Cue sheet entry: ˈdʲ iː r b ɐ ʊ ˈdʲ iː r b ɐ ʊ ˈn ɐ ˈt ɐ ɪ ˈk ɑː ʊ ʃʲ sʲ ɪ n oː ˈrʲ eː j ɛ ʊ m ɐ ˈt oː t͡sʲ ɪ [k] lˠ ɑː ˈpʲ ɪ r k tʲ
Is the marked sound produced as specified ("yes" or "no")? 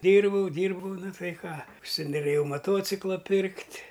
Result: yes